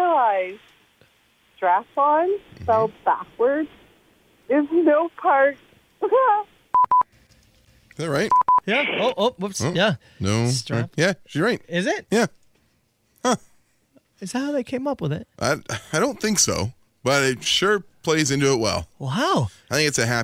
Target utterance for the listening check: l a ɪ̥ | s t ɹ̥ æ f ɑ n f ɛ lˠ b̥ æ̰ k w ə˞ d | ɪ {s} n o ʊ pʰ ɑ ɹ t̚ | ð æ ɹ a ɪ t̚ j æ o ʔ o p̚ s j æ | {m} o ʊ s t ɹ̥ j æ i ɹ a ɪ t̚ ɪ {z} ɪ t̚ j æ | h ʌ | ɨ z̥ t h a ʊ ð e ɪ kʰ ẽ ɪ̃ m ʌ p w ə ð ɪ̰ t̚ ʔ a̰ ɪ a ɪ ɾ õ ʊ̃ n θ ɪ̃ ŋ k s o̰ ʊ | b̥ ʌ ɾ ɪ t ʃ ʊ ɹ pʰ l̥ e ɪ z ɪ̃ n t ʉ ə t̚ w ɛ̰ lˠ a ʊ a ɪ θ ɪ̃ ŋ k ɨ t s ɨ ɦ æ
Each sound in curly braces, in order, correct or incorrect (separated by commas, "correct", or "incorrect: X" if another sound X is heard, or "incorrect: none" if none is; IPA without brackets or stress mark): incorrect: z, incorrect: n, correct